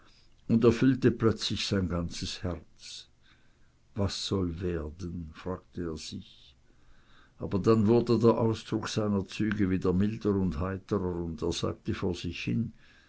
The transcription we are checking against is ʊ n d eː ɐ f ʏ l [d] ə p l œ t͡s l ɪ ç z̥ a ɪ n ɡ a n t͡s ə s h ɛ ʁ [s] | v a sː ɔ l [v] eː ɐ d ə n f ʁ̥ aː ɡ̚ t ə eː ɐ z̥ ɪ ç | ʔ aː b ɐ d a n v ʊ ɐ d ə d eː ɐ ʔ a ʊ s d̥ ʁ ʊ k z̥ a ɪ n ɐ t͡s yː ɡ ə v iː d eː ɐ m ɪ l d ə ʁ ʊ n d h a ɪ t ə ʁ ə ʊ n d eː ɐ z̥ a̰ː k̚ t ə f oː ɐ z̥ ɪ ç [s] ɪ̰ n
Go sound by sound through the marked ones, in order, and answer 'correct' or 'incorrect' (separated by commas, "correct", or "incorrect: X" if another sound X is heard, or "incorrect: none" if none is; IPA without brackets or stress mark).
incorrect: t, incorrect: t͡s, correct, incorrect: h